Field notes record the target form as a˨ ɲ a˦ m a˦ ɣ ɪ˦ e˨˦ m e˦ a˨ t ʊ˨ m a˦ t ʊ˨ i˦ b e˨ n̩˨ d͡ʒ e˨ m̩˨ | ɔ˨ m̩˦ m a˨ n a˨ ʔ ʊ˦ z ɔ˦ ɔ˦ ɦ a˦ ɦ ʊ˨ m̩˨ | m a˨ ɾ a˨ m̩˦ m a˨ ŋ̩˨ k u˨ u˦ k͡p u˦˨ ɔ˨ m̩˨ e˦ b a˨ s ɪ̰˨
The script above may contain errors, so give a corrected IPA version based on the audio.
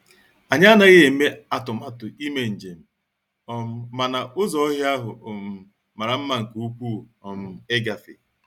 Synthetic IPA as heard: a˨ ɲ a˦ n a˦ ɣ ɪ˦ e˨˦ m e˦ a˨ t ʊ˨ m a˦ t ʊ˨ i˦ m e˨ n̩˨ d͡ʒ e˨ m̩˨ | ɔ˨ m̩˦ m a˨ n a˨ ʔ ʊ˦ z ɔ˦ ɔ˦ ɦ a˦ ɦ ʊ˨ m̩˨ | m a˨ ɾ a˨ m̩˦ m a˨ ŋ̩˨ k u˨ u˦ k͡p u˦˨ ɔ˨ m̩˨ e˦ ɡ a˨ f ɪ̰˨

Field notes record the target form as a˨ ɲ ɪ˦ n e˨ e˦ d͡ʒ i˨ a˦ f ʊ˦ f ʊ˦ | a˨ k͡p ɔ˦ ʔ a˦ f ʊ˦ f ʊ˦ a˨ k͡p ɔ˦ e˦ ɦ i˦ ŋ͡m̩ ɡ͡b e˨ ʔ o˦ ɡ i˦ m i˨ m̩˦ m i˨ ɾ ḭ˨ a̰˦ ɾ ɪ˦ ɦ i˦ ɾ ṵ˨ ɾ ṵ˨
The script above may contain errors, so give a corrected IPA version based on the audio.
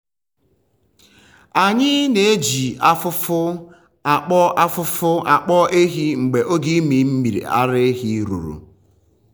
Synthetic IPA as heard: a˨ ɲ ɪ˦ n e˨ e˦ d͡ʒ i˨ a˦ f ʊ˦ f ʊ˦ | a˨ k͡p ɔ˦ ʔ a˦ f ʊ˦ f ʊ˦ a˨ k͡p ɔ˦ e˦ ɦ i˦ ŋ͡m̩ ɡ͡b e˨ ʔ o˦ ɡ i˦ m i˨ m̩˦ m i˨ ɾ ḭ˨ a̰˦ ɾ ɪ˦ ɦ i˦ ɾ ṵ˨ ɾ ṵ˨

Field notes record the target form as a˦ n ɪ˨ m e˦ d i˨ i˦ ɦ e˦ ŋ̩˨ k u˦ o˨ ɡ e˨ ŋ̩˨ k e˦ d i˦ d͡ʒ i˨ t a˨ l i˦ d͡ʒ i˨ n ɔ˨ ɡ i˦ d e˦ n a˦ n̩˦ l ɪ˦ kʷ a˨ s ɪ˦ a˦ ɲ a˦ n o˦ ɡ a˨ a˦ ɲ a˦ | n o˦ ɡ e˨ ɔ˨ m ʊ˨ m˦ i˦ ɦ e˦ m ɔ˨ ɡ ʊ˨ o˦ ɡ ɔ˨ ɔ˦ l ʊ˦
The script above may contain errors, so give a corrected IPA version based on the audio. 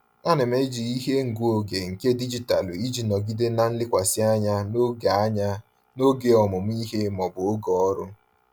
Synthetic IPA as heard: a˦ n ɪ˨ m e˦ d͡ʒ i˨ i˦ ɦ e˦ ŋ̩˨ ɡ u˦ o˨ ɡ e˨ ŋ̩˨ k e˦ d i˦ d͡ʒ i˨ t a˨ l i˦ d͡ʒ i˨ n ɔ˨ ɡ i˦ d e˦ n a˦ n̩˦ l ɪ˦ kʷ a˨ s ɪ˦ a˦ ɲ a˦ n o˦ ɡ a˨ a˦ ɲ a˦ | n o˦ ɡ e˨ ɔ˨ m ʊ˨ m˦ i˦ ɦ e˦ m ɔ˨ b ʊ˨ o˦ ɡ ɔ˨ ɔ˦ ɾ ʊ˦

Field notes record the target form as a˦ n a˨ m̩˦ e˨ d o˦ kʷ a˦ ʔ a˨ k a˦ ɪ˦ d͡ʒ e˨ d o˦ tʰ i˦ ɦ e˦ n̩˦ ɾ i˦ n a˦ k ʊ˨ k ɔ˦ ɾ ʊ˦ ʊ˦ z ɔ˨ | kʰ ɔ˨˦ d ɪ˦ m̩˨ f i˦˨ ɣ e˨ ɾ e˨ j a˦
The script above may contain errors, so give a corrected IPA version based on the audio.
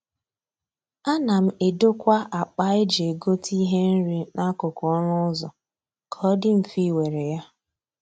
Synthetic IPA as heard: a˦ n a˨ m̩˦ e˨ d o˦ kʷ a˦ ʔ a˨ k͡p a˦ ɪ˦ d͡ʒ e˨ ɡ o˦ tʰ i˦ ɦ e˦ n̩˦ ɾ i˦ n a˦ k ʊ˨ k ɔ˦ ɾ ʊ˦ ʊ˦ z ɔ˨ | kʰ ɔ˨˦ d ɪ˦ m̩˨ f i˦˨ w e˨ ɾ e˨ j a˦

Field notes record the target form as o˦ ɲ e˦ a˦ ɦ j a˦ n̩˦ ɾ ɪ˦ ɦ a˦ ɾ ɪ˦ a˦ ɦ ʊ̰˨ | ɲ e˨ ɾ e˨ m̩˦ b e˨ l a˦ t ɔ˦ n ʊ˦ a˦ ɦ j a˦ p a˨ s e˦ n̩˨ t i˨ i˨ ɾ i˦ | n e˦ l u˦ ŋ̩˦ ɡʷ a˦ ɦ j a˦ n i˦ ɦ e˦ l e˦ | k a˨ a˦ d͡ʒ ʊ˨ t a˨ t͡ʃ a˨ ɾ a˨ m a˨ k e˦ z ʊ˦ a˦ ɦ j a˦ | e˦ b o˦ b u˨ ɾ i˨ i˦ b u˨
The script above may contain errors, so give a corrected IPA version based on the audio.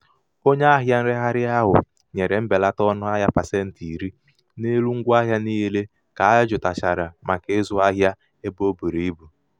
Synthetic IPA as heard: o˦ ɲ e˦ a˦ ɦ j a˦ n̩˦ ɾ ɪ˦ ɦ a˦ ɾ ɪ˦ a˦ ɦ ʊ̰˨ | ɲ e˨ ɾ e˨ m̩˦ b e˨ l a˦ t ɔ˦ n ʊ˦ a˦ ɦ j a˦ p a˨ s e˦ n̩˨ t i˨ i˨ ɾ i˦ | n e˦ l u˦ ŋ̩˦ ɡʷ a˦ ɦ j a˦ n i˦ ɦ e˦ l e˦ | k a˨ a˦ d͡ʒ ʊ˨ t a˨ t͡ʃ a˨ ɾ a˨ m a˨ k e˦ z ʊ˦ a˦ ɦ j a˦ | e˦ b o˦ b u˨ ɾ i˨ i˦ b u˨

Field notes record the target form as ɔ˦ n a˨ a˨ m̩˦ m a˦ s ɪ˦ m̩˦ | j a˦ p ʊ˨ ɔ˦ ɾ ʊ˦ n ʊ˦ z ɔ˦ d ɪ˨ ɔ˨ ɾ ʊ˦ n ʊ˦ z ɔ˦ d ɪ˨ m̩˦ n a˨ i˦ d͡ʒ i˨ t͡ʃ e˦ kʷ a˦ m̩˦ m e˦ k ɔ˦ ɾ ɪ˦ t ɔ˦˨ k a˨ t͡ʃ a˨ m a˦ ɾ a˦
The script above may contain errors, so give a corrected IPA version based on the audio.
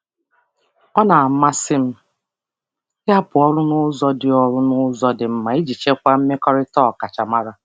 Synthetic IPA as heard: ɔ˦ n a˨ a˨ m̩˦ m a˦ s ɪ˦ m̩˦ | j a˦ p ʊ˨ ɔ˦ ɾ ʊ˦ n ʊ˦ z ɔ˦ d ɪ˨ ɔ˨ ɾ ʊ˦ n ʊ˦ z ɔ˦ d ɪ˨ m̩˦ m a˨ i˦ d͡ʒ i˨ t͡ʃ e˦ kʷ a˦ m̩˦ m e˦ k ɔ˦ ɾ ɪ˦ t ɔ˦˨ k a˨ t͡ʃ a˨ m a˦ ɾ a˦

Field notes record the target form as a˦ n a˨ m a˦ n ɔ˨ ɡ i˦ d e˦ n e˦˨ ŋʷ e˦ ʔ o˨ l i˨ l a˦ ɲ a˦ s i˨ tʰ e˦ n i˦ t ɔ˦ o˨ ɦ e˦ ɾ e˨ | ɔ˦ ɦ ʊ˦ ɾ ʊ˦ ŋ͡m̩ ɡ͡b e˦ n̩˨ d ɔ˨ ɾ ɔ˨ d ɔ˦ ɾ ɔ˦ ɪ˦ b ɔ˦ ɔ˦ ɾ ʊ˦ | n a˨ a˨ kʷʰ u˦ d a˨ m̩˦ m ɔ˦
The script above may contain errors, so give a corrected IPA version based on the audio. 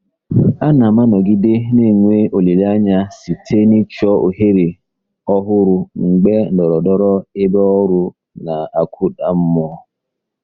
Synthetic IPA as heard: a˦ n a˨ m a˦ n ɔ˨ ɡ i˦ d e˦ n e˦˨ ŋʷ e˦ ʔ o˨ l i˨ l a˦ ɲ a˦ s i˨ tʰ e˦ n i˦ t͡ʃ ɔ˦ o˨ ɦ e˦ ɾ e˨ | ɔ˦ ɦ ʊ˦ ɾ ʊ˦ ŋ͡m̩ ɡ͡b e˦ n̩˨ d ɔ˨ ɾ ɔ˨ d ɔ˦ ɾ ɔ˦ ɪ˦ b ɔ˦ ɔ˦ ɾ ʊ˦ | n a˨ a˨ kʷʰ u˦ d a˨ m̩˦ m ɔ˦

